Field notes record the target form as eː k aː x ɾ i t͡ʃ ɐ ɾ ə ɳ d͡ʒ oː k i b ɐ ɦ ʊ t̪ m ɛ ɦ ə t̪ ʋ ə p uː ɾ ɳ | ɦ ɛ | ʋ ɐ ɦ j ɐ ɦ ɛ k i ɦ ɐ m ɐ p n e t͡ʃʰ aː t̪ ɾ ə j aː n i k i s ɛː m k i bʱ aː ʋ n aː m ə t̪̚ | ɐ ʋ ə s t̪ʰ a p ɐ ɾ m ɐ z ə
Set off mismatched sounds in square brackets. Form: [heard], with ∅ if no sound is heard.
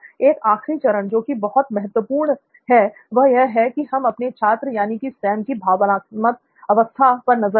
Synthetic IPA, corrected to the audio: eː k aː x ɾ i t͡ʃ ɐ ɾ ə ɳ d͡ʒ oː k i b ɐ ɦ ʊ t̪ m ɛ ɦ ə t̪ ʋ ə p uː ɾ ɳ | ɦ ɛ | ʋ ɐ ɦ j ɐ ɦ ɛ k i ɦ ɐ m ɐ p n e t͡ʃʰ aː t̪ ɾ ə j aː n i k i s ɛː m k i bʱ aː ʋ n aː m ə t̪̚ | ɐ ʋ ə s t̪ʰ a p ɐ ɾ [n] ɐ z ə